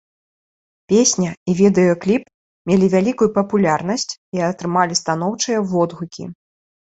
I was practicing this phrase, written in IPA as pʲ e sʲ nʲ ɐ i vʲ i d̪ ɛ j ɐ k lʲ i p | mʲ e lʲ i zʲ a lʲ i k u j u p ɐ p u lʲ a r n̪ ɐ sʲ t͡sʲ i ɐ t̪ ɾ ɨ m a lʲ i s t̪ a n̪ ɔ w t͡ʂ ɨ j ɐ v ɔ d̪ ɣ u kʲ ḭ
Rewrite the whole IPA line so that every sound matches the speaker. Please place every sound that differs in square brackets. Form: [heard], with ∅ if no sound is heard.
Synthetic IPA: pʲ e sʲ nʲ ɐ i vʲ i d̪ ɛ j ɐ k lʲ i p | mʲ e lʲ i [vʲ] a lʲ i k u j u p ɐ p u lʲ a r n̪ ɐ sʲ t͡sʲ i ɐ t̪ ɾ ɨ m a lʲ i s t̪ a n̪ ɔ w t͡ʂ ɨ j ɐ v ɔ d̪ ɣ u kʲ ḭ

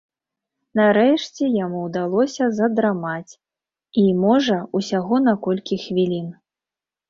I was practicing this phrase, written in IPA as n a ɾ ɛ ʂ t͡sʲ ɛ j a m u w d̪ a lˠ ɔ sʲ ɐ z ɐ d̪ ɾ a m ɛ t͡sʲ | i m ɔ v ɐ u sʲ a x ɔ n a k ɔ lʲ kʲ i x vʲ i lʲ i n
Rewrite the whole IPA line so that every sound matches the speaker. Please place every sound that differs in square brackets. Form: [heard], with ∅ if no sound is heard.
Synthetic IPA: n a ɾ ɛ ʂ t͡sʲ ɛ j a m u w d̪ a lˠ ɔ sʲ ɐ z ɐ d̪ ɾ a m [a] t͡sʲ | i m ɔ [ʐ] ɐ u sʲ a [ɣ] ɔ n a k ɔ lʲ kʲ i x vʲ i lʲ i n

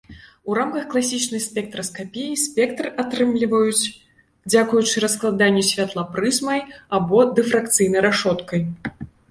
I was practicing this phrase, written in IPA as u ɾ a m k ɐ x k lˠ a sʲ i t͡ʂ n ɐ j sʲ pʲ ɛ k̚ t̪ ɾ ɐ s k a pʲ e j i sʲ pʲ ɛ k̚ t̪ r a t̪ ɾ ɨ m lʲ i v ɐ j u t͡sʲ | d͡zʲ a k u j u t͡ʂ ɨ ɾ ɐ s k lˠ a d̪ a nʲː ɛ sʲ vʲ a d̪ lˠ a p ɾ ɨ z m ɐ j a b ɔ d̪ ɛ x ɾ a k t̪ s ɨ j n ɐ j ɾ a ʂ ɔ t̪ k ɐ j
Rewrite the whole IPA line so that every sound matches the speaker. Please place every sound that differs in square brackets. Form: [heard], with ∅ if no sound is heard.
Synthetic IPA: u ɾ a m k ɐ x k lˠ a sʲ i t͡ʂ n ɐ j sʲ pʲ ɛ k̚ t̪ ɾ ɐ s k a pʲ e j i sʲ pʲ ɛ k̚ t̪ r a t̪ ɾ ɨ m lʲ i v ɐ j u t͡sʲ | d͡zʲ a k u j u t͡ʂ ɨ ɾ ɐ s k lˠ a d̪ a nʲː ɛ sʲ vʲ a [t̪] lˠ a p ɾ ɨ z m ɐ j a b ɔ d̪ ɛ [f] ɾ a k t̪ s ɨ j n ɐ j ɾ a ʂ ɔ t̪ k ɐ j

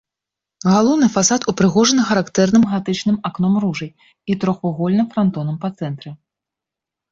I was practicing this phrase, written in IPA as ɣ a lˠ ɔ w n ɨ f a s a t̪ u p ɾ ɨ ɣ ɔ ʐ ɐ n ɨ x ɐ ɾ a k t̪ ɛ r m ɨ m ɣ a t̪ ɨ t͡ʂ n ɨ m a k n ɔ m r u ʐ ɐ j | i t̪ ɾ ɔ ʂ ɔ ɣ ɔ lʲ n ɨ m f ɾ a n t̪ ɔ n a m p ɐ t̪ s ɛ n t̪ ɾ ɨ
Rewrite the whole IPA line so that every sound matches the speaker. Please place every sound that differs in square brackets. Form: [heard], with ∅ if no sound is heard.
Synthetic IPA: ɣ a lˠ ɔ w n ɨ f a s a t̪ u p ɾ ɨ ɣ ɔ ʐ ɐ n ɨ x ɐ ɾ a k t̪ ɛ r [n] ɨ m ɣ a t̪ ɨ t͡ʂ n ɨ m a k n ɔ m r u ʐ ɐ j | i t̪ ɾ ɔ [x] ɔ ɣ ɔ lʲ n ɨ m f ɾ a n t̪ ɔ n [ɐ] m p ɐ t̪ s ɛ n t̪ ɾ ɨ

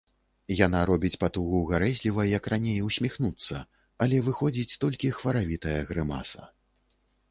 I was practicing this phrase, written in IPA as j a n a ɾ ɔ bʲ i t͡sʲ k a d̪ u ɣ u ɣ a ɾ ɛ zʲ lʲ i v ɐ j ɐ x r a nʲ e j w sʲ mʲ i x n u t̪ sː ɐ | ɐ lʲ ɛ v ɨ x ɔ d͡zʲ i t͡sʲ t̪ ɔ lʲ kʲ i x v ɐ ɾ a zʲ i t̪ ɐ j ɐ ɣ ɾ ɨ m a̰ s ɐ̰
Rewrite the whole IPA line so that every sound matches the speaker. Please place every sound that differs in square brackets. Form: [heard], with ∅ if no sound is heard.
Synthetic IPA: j a n a ɾ ɔ bʲ i t͡sʲ [p] a [t̪] u ɣ u ɣ a ɾ ɛ zʲ lʲ i v ɐ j ɐ [k] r a nʲ e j w sʲ mʲ i x n u t̪ sː ɐ | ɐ lʲ ɛ v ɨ x ɔ d͡zʲ i t͡sʲ t̪ ɔ lʲ kʲ i x v ɐ ɾ a [vʲ] i t̪ ɐ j ɐ ɣ ɾ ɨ m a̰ s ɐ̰

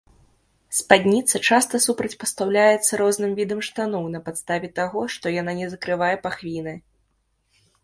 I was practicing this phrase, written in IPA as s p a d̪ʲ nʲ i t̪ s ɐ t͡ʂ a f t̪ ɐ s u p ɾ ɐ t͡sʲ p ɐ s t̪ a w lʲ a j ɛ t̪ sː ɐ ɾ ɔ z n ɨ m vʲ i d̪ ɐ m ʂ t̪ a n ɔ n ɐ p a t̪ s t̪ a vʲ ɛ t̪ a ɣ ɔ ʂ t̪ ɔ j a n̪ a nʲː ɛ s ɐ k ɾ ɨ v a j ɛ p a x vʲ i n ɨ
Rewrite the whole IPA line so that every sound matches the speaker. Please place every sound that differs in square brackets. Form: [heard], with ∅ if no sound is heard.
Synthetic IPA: s p a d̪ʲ nʲ i t̪ s ɐ t͡ʂ a [s] t̪ ɐ s u p ɾ ɐ t͡sʲ p ɐ s t̪ a w lʲ a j ɛ t̪ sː ɐ ɾ ɔ z n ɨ m vʲ i d̪ ɐ m ʂ t̪ a n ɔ n ɐ p a t̪ s t̪ a vʲ ɛ t̪ a ɣ ɔ ʂ t̪ ɔ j a n̪ a [nʲ] ɛ [z] ɐ k ɾ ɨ v a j ɛ p a x vʲ i n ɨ

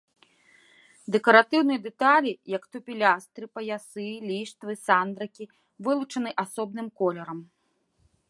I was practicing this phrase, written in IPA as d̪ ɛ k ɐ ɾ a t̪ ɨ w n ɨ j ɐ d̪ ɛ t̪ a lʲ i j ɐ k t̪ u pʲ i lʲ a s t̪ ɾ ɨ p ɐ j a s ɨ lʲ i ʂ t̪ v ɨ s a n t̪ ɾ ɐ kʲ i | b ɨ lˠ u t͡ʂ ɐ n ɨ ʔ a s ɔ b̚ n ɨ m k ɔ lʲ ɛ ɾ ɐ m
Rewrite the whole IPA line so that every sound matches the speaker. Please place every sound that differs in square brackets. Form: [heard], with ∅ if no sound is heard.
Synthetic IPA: d̪ ɛ k ɐ ɾ a t̪ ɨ w n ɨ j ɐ d̪ ɛ t̪ a lʲ i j ɐ k t̪ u pʲ i lʲ a s t̪ ɾ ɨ p ɐ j a s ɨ lʲ i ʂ t̪ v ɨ s a n [d̪] ɾ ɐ kʲ i | [v] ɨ lˠ u t͡ʂ ɐ n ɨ ʔ a s ɔ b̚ n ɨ m k ɔ lʲ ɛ ɾ ɐ m

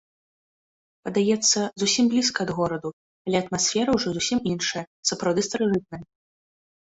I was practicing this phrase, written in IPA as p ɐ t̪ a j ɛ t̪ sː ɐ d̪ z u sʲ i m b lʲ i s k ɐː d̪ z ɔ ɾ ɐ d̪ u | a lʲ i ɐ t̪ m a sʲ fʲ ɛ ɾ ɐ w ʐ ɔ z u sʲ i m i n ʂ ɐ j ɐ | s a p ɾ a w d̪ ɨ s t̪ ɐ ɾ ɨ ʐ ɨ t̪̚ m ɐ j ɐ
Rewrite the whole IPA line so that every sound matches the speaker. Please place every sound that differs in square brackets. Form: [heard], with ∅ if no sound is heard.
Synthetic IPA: p ɐ [d̪] a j ɛ t̪ sː ɐ [∅] z u sʲ i m b lʲ i s k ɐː d̪ [ɣ] ɔ ɾ ɐ d̪ u | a lʲ [ɛ] ɐ t̪ m a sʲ fʲ ɛ ɾ ɐ w ʐ ɔ z u sʲ i m i n ʂ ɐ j ɐ | s [ɐ] p ɾ a w d̪ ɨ s t̪ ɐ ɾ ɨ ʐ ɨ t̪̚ [n] ɐ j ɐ

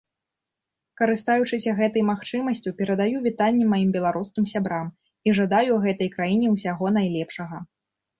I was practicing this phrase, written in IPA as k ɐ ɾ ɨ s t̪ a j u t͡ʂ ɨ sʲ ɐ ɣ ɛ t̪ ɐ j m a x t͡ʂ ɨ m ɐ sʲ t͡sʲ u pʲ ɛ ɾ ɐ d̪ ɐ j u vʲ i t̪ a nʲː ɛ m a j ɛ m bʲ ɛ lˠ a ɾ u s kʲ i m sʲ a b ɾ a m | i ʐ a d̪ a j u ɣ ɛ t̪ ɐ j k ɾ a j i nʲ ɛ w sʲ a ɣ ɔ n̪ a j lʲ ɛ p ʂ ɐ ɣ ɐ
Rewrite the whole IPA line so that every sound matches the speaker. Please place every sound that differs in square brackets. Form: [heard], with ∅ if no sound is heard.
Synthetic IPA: k ɐ ɾ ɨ s t̪ a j u t͡ʂ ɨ sʲ ɐ ɣ ɛ t̪ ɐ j m a x t͡ʂ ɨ m ɐ sʲ t͡sʲ u pʲ ɛ ɾ ɐ d̪ [a] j u vʲ i t̪ a nʲː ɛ m a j [i] m bʲ ɛ lˠ a ɾ u s kʲ i m sʲ a b ɾ a m | i ʐ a d̪ a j u ɣ ɛ t̪ ɐ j k ɾ a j i nʲ ɛ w sʲ a ɣ ɔ n̪ a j lʲ ɛ p ʂ ɐ ɣ ɐ

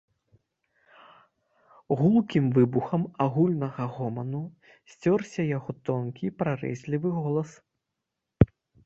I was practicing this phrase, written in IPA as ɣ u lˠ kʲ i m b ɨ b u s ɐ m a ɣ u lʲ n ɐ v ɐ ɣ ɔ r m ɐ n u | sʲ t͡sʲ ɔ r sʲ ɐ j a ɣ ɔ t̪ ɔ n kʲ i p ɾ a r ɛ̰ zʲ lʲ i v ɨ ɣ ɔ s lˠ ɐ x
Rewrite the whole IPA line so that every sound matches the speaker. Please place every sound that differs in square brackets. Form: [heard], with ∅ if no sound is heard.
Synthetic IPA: ɣ u lˠ kʲ i m [v] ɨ b u [x] ɐ m a ɣ u lʲ n ɐ [ɣ] ɐ ɣ ɔ [∅] m ɐ n u | sʲ t͡sʲ ɔ r sʲ ɐ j a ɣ ɔ t̪ ɔ n kʲ i p ɾ a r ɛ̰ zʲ lʲ i v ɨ ɣ ɔ [∅] lˠ ɐ [s]

